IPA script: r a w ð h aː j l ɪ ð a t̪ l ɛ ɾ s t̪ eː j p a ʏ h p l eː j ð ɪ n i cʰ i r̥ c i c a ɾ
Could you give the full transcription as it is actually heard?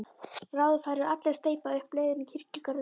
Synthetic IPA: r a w ð f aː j ɾ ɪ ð a t̪ l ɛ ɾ s t̪ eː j p a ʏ h p l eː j ð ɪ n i cʰ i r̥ c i k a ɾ